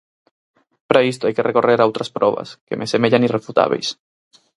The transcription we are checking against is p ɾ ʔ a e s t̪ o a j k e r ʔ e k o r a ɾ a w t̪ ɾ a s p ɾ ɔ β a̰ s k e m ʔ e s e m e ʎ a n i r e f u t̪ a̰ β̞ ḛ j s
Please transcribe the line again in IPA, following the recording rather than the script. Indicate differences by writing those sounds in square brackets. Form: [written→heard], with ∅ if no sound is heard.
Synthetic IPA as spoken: p ɾ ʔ a [e→i] s t̪ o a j k e r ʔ e k o r [a→e] ɾ a w t̪ ɾ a s p ɾ ɔ β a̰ s k e m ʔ e s e m e ʎ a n i r e f u t̪ a̰ β̞ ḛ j s